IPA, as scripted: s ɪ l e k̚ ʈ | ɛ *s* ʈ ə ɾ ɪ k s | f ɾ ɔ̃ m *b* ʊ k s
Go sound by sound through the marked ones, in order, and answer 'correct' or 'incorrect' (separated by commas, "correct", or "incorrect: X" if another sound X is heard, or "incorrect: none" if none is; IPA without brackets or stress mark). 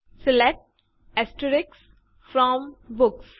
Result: correct, correct